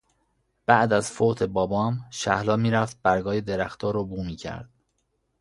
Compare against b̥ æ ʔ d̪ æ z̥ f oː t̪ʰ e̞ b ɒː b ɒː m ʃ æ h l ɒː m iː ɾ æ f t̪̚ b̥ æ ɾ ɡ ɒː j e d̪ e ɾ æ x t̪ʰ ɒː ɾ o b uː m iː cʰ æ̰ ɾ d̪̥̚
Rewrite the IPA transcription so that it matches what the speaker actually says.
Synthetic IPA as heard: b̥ æ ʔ d̪ æ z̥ f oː t̪ʰ e̞ b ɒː b ɒː m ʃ æ h l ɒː m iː ɾ æ f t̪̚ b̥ æ ɾ ɡ ɒː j e d̪ e ɾ æ x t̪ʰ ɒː ɾ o b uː m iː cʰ æ̰ ɾ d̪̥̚